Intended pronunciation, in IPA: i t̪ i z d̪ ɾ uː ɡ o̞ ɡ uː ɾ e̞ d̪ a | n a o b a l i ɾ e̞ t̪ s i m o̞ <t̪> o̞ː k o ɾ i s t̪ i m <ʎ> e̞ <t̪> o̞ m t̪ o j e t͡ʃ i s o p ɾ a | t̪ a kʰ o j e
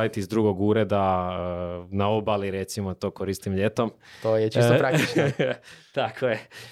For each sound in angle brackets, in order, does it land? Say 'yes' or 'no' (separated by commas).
yes, yes, yes